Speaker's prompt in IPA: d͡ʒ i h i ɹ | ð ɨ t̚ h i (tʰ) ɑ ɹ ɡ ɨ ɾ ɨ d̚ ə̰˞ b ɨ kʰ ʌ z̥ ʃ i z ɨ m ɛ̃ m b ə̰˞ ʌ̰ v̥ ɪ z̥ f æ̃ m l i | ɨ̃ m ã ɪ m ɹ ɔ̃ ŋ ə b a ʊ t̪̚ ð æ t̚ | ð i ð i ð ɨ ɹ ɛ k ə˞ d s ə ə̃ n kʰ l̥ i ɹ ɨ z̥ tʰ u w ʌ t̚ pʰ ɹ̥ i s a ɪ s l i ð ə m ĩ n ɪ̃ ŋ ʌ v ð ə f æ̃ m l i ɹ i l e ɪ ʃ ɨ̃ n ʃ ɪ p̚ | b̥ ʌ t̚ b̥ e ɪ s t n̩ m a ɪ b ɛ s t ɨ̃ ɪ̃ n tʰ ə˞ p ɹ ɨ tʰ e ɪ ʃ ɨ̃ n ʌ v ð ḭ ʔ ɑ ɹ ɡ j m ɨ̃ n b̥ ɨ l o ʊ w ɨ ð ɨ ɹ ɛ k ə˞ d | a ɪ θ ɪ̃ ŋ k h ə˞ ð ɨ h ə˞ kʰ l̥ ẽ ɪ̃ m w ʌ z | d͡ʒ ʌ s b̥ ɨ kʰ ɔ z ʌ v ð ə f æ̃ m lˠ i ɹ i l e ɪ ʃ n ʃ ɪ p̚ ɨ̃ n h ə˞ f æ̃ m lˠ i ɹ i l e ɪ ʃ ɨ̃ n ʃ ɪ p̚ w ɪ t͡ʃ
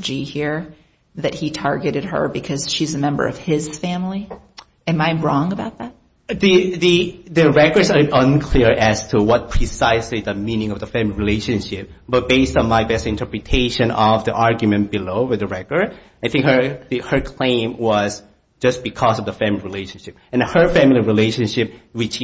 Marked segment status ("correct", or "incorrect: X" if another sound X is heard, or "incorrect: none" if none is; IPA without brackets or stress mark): correct